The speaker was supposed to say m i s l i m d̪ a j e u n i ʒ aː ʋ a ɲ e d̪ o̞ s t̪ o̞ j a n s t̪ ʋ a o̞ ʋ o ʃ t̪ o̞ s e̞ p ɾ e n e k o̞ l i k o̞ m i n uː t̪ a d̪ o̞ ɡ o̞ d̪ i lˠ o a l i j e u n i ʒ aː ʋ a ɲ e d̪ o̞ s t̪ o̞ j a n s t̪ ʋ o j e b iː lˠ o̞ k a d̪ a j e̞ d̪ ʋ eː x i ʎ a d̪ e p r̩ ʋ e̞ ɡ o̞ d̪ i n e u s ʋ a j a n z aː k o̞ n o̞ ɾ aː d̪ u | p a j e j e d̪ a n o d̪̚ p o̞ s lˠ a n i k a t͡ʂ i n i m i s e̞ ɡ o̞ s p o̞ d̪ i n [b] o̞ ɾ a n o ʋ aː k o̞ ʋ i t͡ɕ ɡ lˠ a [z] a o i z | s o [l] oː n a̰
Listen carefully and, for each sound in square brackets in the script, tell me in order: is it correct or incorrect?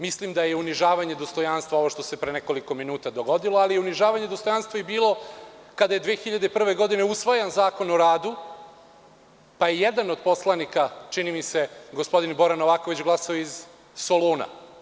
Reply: correct, incorrect: s, correct

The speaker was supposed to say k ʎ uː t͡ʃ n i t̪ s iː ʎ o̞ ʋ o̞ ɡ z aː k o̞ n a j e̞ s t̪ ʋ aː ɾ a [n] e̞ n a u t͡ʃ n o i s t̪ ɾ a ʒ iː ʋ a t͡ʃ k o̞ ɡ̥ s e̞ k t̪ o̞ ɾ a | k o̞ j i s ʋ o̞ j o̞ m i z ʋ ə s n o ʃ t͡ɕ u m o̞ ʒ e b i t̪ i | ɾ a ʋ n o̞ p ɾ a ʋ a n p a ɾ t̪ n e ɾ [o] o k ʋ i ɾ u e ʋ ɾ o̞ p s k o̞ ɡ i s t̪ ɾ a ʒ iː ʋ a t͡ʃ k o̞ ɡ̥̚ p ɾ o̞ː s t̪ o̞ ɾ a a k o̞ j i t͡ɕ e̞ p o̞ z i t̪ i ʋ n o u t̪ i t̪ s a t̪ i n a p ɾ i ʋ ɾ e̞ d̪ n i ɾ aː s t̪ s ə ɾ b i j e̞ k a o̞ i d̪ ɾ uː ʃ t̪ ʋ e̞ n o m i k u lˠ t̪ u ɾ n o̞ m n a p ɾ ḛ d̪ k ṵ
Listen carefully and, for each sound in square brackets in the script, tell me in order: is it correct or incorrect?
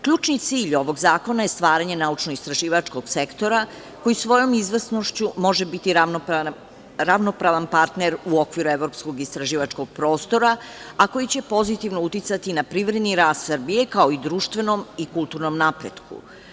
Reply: incorrect: ɲ, incorrect: u

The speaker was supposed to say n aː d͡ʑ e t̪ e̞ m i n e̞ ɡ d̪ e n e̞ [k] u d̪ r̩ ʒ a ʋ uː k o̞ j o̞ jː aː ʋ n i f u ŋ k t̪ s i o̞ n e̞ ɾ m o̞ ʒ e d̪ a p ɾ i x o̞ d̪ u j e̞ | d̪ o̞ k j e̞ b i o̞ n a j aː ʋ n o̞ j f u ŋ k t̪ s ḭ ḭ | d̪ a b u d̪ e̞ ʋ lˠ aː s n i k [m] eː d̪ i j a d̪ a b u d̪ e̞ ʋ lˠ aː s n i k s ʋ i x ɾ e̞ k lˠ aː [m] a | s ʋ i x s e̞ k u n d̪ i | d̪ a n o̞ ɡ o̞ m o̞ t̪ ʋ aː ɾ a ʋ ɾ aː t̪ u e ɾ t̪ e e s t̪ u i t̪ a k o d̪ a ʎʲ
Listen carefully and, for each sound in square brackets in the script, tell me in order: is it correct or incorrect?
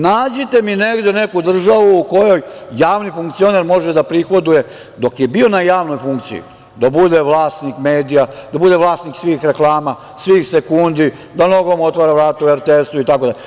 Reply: correct, correct, correct

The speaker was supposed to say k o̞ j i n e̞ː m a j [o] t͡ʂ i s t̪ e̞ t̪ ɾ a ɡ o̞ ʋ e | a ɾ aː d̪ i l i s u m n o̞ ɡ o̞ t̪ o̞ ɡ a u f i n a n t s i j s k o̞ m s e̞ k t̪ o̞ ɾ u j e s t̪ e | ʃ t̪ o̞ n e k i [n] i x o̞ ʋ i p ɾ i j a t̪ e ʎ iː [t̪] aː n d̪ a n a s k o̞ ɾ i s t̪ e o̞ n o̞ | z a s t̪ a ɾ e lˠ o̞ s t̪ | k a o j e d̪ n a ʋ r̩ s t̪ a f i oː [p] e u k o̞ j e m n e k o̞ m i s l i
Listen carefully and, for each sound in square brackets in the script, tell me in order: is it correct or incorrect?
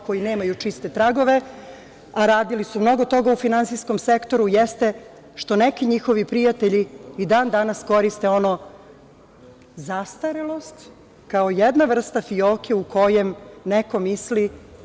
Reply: incorrect: u, incorrect: ɲ, incorrect: d̪, incorrect: k

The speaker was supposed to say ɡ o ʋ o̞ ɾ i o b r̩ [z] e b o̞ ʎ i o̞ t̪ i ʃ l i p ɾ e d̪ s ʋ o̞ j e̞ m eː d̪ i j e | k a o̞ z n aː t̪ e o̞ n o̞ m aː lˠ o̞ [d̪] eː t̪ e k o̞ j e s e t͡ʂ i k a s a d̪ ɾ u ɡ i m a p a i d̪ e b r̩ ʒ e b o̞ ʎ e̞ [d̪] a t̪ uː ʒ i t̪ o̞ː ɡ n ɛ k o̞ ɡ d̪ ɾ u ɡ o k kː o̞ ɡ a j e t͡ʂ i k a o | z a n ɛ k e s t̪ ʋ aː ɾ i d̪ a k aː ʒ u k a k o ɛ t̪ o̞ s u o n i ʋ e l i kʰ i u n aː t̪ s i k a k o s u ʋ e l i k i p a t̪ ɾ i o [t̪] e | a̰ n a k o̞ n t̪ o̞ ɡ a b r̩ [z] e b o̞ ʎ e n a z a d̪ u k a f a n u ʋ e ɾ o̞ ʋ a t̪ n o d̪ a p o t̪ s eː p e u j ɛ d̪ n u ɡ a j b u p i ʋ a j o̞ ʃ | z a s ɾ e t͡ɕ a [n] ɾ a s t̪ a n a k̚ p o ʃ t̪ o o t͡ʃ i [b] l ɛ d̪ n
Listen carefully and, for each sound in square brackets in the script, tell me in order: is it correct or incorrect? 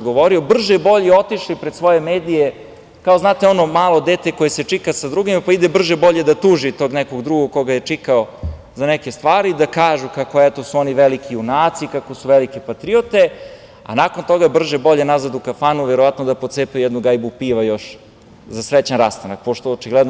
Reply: incorrect: ʒ, correct, correct, correct, incorrect: ʒ, correct, incorrect: ɡ

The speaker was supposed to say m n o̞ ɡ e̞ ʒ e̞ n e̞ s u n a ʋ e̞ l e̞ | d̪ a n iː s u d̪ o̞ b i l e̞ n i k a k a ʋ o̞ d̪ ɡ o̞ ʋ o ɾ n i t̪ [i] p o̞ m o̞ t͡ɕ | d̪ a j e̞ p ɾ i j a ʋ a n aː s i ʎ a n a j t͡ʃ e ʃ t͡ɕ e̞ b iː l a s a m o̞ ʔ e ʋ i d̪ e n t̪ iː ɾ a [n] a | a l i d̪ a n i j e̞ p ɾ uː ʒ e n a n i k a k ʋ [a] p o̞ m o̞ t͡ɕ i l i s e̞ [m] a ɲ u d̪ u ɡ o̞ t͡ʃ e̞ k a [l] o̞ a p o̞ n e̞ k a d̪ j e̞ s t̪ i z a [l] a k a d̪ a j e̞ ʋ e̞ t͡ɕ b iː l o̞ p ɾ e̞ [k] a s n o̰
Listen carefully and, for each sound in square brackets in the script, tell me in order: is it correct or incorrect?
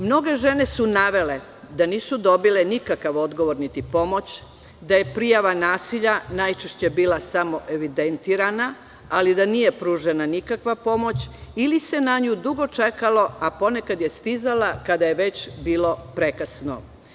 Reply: correct, correct, correct, incorrect: n, correct, correct, correct

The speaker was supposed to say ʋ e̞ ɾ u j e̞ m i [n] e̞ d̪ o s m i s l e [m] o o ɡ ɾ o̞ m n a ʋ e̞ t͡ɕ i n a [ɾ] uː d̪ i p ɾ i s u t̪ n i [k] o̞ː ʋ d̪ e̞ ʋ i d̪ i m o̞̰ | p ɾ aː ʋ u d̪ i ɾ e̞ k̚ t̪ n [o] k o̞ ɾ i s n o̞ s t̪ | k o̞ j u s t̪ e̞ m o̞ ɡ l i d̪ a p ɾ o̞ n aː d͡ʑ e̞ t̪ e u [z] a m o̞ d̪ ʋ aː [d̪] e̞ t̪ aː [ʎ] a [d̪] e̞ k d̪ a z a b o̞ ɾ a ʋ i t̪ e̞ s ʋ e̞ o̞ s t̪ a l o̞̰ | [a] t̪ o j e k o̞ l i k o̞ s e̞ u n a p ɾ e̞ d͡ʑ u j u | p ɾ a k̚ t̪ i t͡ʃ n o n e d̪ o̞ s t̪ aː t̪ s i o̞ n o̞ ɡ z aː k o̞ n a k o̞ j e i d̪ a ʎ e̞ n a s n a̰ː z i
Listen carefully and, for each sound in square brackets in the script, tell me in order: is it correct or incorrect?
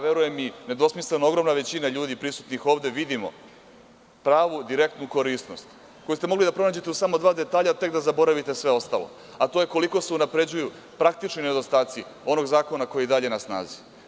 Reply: correct, incorrect: n, incorrect: ʎ, incorrect: x, incorrect: u, incorrect: s, correct, correct, incorrect: t̪, correct

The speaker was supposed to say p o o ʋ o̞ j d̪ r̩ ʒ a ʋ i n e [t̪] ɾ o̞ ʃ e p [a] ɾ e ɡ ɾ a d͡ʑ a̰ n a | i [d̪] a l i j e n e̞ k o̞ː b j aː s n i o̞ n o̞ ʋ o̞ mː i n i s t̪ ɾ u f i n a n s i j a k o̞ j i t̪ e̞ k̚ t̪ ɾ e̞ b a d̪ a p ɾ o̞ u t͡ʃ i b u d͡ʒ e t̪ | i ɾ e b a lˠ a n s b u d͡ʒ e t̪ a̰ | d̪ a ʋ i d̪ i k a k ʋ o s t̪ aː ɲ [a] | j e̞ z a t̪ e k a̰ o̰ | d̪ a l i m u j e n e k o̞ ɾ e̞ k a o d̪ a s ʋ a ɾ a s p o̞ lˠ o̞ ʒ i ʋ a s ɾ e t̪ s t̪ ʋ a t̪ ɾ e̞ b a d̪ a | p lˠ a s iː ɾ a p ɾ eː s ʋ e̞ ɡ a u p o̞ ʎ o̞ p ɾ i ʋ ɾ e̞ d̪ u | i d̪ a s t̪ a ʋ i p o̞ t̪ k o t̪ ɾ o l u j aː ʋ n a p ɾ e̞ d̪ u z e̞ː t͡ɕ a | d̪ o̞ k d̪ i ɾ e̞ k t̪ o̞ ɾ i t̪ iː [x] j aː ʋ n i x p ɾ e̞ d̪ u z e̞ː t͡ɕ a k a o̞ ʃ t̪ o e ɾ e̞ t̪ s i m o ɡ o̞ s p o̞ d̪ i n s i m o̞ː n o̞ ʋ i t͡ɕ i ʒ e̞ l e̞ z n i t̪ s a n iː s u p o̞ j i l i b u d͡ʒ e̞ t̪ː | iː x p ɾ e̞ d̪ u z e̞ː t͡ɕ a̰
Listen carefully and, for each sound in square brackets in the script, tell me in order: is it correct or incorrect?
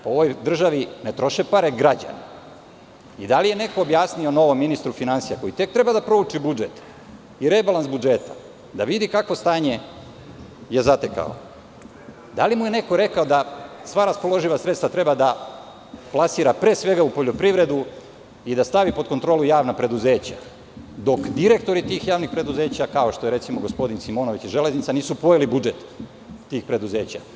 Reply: correct, correct, correct, incorrect: e, correct

